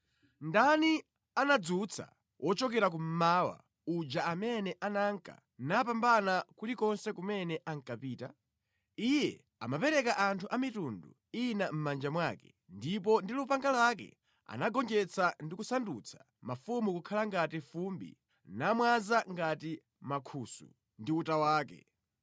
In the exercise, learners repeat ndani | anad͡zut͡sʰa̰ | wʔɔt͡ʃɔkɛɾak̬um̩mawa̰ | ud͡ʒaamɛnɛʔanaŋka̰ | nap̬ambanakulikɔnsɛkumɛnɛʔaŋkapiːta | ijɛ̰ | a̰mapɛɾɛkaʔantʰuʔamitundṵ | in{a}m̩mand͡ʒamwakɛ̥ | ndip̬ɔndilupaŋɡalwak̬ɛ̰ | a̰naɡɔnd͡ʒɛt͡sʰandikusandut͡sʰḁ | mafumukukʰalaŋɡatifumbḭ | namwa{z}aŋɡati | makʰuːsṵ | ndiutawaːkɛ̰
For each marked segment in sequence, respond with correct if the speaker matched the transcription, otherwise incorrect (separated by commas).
correct, correct